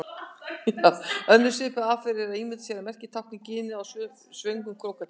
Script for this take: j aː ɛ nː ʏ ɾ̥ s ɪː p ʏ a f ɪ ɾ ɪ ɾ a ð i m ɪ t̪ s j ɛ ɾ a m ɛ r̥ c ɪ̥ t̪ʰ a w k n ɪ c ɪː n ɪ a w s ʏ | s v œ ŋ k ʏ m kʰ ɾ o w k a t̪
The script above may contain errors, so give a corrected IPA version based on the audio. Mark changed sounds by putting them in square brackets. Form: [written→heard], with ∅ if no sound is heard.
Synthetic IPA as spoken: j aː [ɛ→œ] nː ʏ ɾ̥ s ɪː p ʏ a f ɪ ɾ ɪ ɾ a ð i m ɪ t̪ s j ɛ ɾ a m ɛ r̥ c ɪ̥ t̪ʰ a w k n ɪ c ɪː n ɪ a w s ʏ | s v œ ŋ k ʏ m kʰ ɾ o w k a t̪